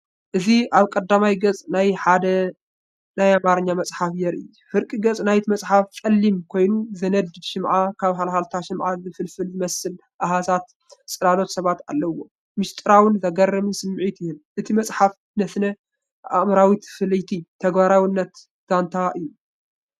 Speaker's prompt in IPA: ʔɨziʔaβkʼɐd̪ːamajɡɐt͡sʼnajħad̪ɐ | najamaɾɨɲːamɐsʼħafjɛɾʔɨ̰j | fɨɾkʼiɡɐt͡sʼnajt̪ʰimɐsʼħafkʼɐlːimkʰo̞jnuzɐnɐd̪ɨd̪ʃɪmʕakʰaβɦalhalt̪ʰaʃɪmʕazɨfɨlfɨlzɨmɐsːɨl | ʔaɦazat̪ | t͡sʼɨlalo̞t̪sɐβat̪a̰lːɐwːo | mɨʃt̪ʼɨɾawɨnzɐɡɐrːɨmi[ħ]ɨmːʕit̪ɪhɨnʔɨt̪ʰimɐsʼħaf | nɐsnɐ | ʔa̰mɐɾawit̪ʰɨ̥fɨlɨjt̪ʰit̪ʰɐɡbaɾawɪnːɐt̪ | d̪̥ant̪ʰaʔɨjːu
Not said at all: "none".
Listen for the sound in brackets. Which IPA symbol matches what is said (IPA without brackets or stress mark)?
s